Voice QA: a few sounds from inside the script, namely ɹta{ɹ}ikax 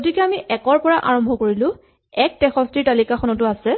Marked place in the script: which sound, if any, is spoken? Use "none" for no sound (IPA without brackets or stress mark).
l